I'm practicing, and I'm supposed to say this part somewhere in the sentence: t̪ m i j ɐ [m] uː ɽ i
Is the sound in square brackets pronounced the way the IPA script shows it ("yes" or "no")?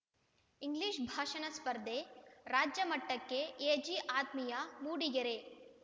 yes